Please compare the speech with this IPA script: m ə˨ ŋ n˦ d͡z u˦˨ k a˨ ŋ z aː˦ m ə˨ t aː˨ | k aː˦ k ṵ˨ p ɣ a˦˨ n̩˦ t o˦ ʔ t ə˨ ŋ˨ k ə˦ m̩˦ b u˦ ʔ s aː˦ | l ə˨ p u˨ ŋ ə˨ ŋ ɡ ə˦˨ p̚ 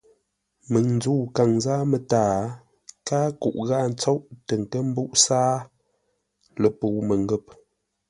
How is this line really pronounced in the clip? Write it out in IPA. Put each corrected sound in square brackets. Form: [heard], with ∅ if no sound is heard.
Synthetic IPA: m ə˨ ŋ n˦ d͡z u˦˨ k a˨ ŋ z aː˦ m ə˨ t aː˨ | k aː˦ k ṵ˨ [ʔ] ɣ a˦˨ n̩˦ [t͡s] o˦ ʔ t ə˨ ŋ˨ k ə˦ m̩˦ b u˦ ʔ s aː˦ | l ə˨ p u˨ [m] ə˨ ŋ ɡ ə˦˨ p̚

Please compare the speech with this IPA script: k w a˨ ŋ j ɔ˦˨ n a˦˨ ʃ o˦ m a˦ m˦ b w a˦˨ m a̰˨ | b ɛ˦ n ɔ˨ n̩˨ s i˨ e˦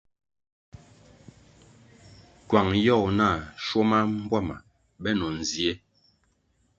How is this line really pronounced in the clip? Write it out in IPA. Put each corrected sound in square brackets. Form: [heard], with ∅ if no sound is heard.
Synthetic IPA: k w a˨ ŋ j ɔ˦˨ n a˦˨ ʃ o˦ m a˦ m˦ b w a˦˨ m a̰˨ | b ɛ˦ n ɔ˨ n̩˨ [z] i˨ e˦

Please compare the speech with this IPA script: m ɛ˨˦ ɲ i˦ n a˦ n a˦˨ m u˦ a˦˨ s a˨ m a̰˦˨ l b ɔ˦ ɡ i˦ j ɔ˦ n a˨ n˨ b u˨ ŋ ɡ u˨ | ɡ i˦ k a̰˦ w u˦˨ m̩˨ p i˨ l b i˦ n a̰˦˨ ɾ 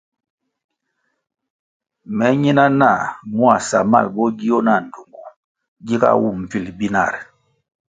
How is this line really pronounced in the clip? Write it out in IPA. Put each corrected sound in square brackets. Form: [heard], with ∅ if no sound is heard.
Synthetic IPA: m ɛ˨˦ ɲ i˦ n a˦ n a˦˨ m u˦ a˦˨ s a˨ m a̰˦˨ l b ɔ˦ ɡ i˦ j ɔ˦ n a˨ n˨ [d] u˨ ŋ ɡ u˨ | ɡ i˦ k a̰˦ w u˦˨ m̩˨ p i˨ l b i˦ n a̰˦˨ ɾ

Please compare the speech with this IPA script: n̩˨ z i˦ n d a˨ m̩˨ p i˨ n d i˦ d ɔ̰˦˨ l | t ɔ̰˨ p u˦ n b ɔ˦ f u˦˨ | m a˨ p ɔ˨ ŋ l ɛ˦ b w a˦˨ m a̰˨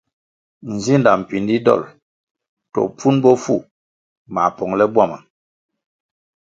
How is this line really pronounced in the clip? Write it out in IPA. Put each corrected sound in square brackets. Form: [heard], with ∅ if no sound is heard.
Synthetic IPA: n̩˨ z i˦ n d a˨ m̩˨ p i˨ n d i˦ d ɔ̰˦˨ l | t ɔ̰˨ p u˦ n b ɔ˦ f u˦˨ | m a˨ p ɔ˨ ŋ l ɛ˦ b w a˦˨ m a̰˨

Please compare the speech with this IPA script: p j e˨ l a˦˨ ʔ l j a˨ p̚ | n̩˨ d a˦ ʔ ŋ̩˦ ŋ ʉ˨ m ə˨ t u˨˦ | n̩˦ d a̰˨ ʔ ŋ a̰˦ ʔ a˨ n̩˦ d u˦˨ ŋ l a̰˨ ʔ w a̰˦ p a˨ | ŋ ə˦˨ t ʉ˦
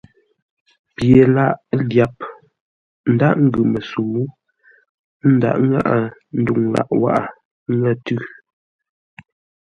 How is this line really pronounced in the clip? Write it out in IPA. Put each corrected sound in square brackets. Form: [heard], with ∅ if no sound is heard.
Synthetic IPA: p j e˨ l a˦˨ ʔ l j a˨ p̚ | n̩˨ d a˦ ʔ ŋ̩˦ [ɡ] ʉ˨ m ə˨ [s] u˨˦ | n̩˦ d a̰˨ ʔ ŋ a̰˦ ʔ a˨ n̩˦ d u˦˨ ŋ l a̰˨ ʔ w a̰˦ [ʔ] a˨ | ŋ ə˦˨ t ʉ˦

